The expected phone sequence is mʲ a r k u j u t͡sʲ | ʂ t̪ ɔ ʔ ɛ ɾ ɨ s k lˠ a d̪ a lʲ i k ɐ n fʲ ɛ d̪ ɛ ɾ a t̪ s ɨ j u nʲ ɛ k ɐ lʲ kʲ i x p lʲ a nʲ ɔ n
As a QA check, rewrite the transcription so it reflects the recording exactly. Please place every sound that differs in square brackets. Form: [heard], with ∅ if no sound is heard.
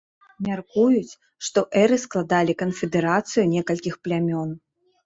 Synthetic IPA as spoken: mʲ a r k u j u t͡sʲ | ʂ t̪ ɔ ʔ ɛ ɾ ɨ s k lˠ a d̪ a lʲ i k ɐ n fʲ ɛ d̪ ɛ ɾ a t̪ s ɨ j u nʲ ɛ k ɐ lʲ kʲ i x p lʲ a [mʲ] ɔ n